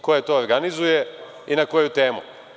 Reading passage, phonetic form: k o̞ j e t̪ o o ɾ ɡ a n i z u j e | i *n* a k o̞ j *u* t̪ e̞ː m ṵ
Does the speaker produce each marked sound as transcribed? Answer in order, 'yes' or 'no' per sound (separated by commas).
yes, yes